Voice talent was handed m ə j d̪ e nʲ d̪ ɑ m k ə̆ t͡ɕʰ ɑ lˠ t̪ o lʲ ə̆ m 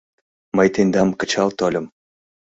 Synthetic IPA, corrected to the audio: m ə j t̪ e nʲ d̪ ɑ m k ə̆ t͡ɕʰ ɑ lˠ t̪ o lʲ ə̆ m